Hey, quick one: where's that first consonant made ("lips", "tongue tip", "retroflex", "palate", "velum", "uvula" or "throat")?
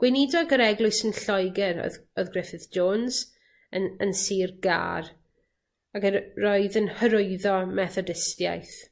velum